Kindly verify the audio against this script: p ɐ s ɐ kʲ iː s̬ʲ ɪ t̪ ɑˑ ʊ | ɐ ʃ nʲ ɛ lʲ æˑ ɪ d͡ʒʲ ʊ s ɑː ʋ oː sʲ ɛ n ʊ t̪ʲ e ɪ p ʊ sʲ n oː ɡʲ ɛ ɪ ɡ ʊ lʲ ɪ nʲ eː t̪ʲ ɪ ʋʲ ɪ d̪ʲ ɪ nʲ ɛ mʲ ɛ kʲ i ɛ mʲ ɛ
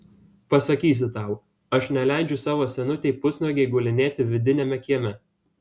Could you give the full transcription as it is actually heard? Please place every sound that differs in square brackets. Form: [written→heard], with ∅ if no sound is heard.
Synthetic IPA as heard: p ɐ s ɐ kʲ iː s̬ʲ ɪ t̪ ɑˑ ʊ | ɐ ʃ nʲ ɛ lʲ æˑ ɪ d͡ʒʲ ʊ s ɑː ʋ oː sʲ ɛ n ʊ t̪ʲ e ɪ p ʊ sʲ n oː ɡʲ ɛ ɪ ɡ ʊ lʲ ɪ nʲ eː t̪ʲ ɪ ʋʲ ɪ d̪ʲ ɪ nʲ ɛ mʲ ɛ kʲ i ɛ mʲ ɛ